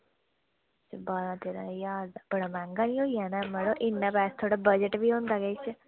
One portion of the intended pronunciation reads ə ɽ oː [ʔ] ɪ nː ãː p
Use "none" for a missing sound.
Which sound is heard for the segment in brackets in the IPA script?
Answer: ʔ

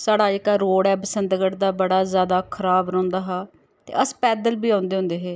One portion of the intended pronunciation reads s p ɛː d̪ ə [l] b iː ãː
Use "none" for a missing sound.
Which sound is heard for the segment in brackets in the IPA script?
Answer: l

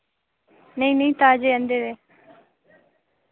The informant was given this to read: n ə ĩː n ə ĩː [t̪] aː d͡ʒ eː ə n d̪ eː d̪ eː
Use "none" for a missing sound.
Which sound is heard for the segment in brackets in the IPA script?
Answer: t̪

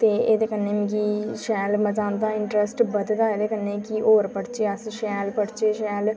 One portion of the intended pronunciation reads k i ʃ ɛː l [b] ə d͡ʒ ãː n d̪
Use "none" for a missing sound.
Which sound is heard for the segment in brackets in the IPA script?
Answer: m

